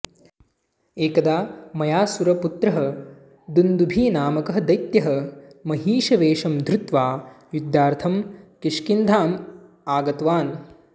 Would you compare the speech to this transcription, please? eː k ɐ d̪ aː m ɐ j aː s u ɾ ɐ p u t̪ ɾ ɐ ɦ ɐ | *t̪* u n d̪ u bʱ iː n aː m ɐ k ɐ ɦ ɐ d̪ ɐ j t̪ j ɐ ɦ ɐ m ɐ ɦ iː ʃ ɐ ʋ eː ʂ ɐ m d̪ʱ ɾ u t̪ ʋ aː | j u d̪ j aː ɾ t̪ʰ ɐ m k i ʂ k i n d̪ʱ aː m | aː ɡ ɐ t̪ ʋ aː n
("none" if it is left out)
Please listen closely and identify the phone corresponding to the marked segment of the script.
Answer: d̪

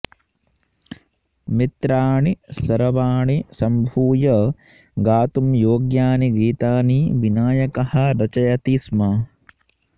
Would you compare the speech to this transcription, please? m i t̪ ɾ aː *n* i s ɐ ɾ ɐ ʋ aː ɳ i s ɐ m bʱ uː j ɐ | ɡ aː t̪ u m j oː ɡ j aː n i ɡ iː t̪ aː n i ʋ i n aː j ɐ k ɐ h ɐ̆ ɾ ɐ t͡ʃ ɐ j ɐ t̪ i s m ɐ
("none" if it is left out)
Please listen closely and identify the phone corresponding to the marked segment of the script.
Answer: ɳ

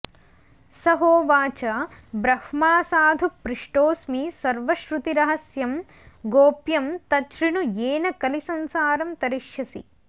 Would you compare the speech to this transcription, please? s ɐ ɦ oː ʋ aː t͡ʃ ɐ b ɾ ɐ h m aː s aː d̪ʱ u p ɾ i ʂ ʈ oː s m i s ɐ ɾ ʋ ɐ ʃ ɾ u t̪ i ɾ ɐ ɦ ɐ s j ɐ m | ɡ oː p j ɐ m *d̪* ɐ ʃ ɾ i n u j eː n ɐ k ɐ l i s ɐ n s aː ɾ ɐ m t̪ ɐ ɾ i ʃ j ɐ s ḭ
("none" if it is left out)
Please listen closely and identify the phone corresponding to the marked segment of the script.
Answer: t̪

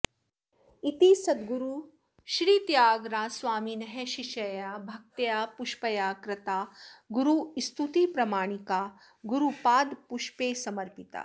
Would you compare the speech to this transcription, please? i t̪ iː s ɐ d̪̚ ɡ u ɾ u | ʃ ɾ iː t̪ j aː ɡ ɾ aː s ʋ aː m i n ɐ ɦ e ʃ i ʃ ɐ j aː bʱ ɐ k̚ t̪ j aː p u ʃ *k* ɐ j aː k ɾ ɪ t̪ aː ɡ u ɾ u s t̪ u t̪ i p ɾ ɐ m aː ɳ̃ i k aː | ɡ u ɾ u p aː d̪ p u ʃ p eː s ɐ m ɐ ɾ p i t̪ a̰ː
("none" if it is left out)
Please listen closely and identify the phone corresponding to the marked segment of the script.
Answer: p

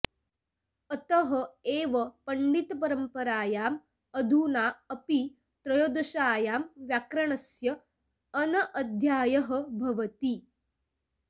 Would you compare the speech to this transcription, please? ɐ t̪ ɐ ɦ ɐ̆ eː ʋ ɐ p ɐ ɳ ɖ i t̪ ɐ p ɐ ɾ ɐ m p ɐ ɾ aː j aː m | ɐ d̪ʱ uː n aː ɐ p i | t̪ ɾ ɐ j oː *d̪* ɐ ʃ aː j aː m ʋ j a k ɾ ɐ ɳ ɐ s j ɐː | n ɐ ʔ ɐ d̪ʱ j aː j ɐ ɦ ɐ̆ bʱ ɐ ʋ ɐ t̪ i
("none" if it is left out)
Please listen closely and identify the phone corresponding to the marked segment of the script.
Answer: d̪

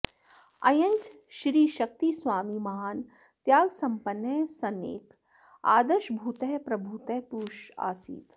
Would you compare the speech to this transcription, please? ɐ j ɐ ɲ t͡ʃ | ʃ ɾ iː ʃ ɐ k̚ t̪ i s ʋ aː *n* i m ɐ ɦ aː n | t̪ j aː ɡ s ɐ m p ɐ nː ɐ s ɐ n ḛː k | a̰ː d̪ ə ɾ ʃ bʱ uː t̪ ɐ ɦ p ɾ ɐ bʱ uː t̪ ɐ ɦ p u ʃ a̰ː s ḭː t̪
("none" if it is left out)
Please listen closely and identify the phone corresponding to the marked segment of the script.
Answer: m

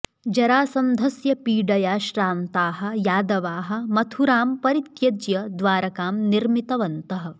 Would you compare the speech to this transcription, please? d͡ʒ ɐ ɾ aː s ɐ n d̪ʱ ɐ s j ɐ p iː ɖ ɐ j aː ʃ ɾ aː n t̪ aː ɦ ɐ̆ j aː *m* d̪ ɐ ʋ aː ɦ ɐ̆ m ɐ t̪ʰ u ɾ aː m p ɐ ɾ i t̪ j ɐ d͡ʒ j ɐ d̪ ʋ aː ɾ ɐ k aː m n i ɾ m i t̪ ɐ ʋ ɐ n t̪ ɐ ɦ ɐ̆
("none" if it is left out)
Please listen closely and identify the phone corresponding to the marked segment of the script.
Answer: none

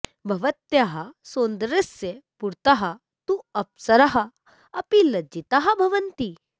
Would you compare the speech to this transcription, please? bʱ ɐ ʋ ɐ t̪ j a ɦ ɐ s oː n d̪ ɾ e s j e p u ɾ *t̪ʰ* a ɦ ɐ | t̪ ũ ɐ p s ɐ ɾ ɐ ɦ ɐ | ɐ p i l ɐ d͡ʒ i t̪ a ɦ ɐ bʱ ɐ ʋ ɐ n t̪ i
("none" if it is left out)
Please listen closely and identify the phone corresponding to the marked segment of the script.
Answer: t̪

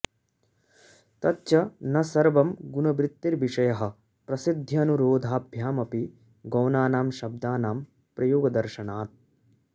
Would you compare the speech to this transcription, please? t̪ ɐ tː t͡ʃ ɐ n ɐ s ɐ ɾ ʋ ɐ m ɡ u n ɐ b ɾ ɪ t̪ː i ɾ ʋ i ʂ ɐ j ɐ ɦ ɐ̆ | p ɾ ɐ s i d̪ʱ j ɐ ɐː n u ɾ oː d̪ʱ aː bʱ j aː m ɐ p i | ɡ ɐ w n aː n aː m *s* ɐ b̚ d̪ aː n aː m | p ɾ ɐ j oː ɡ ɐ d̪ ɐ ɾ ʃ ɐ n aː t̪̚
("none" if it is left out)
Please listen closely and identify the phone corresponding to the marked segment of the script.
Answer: ʃ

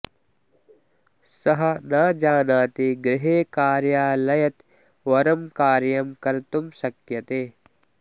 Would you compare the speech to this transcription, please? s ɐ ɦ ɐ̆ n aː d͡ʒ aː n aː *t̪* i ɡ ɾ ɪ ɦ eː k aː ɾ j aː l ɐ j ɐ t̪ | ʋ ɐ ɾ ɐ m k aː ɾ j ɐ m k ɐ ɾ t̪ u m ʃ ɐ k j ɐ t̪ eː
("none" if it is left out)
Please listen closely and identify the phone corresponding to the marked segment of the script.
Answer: t̪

